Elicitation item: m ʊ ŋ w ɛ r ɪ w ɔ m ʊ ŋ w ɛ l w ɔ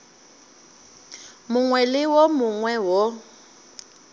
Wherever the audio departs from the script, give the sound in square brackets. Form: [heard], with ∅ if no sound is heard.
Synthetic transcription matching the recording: m ʊ ŋ w ɛ [l] ɪ w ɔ m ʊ ŋ w ɛ [∅] w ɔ